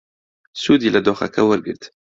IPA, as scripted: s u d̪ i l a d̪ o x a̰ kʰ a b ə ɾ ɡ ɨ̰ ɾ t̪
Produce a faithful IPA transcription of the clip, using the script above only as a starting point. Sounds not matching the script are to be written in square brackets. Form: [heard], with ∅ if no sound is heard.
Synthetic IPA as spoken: s u d̪ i l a d̪ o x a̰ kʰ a [w] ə ɾ ɡ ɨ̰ ɾ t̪